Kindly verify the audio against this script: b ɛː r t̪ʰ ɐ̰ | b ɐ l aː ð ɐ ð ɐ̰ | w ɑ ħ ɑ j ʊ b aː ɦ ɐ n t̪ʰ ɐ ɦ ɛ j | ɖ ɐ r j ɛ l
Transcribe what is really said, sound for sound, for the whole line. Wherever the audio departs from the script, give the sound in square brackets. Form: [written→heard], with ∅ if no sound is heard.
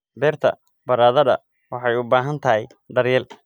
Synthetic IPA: b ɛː r t̪ʰ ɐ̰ | b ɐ [l→ɾ] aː ð ɐ ð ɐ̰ | w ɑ ħ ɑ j ʊ b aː ɦ ɐ n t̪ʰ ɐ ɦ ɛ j | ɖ ɐ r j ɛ l